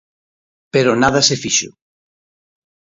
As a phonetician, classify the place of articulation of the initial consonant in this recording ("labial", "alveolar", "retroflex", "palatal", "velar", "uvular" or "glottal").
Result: labial